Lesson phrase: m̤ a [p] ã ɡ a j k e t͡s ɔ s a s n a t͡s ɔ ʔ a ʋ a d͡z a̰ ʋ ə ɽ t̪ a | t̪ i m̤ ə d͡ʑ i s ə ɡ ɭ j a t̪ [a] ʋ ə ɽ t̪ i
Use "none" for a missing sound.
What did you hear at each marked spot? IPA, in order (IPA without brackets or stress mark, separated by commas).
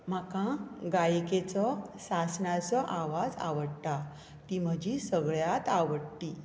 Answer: k, a